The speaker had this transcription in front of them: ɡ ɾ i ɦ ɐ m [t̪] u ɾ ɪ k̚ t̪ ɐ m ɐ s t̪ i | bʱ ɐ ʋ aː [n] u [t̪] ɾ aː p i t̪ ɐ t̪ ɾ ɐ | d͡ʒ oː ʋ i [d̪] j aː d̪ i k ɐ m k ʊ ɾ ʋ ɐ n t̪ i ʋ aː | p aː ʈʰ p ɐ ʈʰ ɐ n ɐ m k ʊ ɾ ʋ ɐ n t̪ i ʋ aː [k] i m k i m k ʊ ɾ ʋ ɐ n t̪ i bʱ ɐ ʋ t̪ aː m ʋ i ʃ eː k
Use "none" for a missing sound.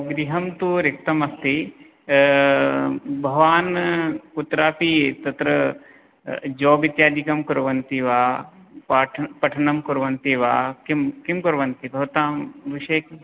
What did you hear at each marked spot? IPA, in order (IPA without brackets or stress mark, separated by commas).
t̪, n, t̪, t̪, k